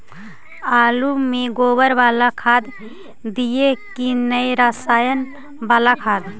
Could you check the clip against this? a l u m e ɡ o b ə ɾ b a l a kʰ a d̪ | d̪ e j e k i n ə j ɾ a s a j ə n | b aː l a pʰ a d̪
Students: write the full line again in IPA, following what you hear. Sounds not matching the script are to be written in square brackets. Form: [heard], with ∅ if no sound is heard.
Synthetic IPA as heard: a l u m e ɡ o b ə ɾ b a l a kʰ a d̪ | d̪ [i] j e k i n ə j ɾ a s a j ə n | b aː l a [kʰ] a d̪

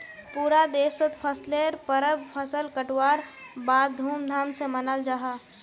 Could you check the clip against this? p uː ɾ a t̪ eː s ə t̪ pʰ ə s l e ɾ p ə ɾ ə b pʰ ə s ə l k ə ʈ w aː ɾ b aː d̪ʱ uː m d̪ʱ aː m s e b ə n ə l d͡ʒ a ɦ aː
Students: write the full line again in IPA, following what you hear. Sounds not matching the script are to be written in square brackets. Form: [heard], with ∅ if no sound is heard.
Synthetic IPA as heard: p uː ɾ a [d̪] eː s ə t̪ pʰ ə s l e ɾ p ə ɾ ə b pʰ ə s ə l k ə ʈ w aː ɾ b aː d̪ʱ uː m d̪ʱ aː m s e [m] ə n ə l d͡ʒ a ɦ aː

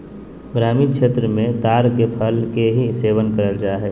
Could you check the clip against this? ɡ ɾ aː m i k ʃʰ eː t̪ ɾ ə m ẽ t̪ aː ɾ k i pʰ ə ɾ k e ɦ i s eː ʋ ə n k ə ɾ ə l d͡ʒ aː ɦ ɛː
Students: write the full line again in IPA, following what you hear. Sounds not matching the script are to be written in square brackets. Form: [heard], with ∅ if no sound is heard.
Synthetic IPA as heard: ɡ ɾ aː m i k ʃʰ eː t̪ ɾ ə m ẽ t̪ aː ɾ k [e] pʰ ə [l] k e ɦ i s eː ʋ ə n k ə ɾ ə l d͡ʒ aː ɦ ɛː

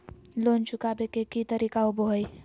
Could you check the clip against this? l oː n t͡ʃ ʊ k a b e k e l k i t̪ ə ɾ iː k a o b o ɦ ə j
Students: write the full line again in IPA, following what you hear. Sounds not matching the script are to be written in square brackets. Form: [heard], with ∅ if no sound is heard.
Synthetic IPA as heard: l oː n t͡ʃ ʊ k a b e k e [∅] k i t̪ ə ɾ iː k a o b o ɦ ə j

